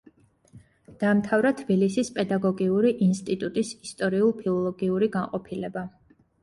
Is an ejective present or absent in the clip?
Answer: present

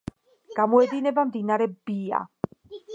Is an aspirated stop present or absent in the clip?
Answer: absent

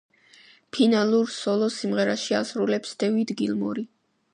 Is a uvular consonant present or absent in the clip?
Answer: present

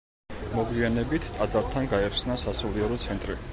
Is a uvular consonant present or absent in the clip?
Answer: absent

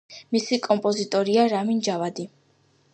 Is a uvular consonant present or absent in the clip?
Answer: absent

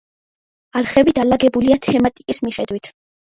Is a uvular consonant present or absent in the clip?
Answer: present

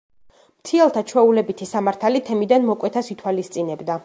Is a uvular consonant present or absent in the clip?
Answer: absent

